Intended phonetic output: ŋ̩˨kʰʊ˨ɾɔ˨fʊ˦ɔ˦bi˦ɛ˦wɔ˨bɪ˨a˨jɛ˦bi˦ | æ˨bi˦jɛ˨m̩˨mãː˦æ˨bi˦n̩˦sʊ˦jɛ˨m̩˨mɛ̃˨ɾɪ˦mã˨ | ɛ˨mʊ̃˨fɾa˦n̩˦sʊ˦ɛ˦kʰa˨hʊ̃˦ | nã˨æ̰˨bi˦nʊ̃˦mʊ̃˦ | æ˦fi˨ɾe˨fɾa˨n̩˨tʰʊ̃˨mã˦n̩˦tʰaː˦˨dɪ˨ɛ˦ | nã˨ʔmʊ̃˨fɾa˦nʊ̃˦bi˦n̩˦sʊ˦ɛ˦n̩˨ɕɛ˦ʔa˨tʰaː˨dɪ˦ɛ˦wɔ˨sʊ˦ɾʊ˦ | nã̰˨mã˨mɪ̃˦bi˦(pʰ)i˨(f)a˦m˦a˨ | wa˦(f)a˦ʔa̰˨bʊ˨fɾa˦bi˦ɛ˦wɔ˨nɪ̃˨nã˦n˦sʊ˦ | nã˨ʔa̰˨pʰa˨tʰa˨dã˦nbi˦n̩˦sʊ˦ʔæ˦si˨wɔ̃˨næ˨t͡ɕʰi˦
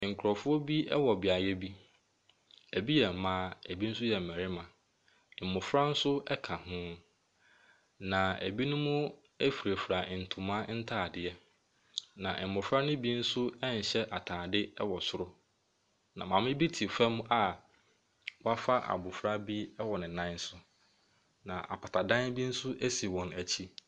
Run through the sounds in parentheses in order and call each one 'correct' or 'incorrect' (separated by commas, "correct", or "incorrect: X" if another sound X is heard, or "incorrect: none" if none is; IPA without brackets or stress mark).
incorrect: tʰ, correct, correct